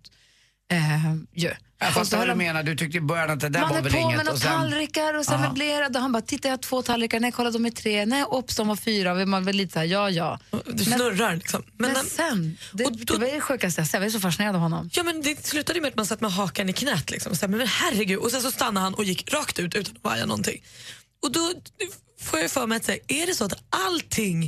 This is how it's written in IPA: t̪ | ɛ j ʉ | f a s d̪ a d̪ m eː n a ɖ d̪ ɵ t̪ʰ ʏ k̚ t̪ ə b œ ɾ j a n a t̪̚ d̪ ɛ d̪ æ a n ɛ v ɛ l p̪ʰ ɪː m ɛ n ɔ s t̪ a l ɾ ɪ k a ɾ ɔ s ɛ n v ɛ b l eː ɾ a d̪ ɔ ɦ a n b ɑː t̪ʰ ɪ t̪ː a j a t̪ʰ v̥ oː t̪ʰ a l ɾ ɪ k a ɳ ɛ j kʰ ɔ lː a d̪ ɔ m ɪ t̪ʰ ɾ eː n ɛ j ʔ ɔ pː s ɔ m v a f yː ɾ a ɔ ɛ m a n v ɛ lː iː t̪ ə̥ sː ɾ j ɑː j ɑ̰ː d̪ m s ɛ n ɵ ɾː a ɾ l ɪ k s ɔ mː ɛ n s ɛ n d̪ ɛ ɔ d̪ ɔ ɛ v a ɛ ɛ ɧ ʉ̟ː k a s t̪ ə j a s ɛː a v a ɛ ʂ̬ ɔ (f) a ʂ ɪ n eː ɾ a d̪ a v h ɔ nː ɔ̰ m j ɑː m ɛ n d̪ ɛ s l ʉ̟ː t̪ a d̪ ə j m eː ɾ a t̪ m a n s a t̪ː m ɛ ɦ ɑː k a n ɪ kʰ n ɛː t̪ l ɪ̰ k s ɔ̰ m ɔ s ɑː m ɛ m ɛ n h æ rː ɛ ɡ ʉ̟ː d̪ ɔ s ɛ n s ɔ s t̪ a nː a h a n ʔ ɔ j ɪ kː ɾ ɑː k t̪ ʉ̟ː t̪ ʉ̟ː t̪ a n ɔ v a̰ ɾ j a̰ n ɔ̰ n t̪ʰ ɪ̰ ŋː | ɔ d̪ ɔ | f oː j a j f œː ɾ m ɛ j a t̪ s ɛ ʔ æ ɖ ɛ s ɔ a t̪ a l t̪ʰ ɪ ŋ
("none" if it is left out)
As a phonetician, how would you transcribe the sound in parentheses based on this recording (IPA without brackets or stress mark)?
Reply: f